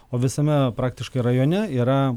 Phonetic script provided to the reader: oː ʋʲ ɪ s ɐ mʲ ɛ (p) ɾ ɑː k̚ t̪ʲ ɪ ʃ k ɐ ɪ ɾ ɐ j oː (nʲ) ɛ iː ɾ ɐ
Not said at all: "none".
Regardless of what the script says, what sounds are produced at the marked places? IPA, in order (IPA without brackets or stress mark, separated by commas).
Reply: p, nʲ